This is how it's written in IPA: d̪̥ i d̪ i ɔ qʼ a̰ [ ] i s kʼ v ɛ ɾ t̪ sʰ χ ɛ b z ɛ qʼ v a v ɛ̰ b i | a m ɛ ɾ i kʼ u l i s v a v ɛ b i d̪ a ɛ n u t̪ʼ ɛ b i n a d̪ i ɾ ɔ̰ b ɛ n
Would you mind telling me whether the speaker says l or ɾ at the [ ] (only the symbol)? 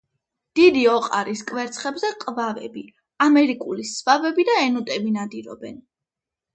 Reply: ɾ